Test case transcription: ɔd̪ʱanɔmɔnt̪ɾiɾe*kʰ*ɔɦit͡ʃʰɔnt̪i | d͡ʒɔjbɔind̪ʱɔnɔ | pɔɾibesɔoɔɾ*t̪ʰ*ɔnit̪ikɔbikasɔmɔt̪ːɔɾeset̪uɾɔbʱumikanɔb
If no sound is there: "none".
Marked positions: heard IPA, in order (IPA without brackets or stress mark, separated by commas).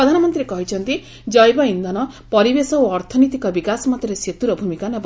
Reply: k, t̪ʰ